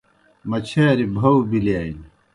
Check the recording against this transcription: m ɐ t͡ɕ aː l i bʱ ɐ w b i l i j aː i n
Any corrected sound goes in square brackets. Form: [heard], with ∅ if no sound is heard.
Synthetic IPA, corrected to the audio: m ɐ [t͡ɕʰ] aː [ɾ] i bʱ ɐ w b i l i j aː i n